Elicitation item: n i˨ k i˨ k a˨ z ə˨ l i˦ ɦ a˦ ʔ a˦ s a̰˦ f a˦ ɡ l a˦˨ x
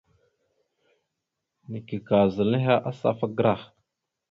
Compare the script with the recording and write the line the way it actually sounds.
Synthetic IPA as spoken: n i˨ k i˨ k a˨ z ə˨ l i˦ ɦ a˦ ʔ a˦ s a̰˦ f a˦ ɡ ɾ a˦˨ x